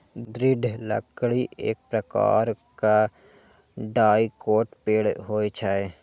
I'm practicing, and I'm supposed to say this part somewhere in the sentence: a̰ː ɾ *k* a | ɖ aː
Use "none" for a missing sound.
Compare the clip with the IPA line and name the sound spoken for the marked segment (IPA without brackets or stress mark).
k